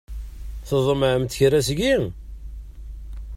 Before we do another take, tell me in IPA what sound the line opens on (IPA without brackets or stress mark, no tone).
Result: θ